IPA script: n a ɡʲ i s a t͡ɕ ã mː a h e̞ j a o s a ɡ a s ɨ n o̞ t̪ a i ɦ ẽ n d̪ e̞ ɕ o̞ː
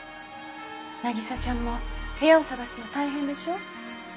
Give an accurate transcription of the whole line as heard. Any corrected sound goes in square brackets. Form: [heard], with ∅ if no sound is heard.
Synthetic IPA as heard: n a ɡʲ i s a t͡ɕ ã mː a h e̞ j a o s a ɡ a s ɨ n o̞ t̪ a i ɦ ẽ n d̪ e̞ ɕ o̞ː